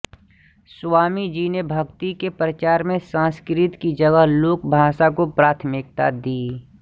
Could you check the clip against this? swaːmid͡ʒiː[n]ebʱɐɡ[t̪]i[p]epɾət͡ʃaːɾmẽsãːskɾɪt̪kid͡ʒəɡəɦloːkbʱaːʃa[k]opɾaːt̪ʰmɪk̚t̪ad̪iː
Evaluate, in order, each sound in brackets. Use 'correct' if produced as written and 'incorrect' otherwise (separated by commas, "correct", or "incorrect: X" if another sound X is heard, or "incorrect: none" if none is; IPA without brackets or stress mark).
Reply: correct, correct, incorrect: k, correct